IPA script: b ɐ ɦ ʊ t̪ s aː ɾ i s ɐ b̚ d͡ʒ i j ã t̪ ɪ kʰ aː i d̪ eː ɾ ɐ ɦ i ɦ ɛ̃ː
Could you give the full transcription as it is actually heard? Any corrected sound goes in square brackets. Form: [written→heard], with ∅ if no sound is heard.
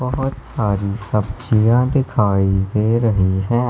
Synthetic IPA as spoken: b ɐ ɦ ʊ t̪ s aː ɾ i s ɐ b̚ d͡ʒ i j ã [t̪→d̪] ɪ kʰ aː i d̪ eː ɾ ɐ ɦ i ɦ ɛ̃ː